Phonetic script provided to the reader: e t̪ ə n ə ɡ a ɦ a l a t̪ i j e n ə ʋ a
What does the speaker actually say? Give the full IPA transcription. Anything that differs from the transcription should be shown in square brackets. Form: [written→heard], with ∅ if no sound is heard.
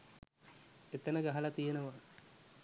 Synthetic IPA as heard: e t̪ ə n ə ɡ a ɦ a l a t̪ i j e n ə ʋ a